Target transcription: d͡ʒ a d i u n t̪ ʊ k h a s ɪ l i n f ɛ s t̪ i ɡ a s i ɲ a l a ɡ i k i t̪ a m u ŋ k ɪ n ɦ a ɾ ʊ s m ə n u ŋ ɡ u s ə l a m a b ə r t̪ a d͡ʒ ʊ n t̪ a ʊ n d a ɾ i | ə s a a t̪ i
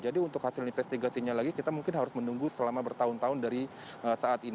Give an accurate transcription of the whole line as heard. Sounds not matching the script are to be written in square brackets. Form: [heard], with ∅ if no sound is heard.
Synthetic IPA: d͡ʒ a d i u n t̪ ʊ k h a s ɪ l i n f ɛ s t̪ i ɡ a s i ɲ a l a ɡ i k i t̪ a m u ŋ k ɪ n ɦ a ɾ ʊ s m ə n u ŋ ɡ u s ə l a m a b ə r t̪ a [∅] ʊ n t̪ a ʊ n d a ɾ i | ə s a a t̪ i